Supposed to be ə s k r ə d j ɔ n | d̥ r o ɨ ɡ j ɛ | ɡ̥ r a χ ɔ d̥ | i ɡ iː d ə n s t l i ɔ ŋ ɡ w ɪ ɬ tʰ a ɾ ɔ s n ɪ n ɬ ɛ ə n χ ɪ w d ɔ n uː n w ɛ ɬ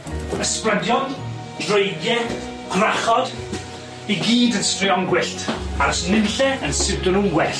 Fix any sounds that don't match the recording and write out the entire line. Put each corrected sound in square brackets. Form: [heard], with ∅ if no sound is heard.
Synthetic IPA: ə s [p] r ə d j ɔ n | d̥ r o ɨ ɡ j ɛ | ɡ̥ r a χ ɔ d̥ | i ɡ iː d ə n s t [r] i ɔ ŋ ɡ w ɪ ɬ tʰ a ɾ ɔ s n ɪ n ɬ ɛ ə n [s] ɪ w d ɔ n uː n w ɛ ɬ